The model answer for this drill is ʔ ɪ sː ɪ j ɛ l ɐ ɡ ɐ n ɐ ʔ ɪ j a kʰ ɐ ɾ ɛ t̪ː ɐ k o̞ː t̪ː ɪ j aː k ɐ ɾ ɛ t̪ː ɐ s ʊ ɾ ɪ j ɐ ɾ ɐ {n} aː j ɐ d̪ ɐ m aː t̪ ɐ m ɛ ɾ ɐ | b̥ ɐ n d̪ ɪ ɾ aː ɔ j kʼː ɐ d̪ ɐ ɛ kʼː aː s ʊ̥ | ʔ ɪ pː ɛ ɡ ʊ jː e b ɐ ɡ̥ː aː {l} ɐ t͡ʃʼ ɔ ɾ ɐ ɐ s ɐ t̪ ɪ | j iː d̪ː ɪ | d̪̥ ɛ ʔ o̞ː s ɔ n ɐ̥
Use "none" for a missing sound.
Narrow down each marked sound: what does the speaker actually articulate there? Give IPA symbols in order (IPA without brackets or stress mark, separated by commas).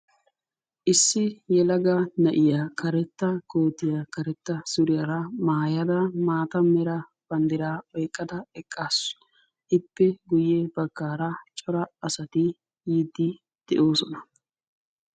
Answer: m, ɾ